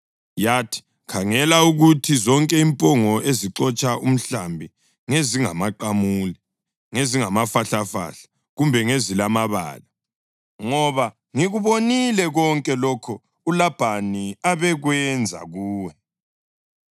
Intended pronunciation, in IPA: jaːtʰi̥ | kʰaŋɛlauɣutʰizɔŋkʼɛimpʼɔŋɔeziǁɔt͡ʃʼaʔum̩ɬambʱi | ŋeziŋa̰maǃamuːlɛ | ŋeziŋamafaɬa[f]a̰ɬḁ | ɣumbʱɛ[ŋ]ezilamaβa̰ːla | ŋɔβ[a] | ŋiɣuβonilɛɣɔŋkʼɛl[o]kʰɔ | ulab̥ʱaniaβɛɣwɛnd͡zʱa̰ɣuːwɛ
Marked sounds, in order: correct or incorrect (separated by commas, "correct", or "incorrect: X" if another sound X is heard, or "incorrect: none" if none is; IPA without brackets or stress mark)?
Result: correct, correct, correct, incorrect: ɔ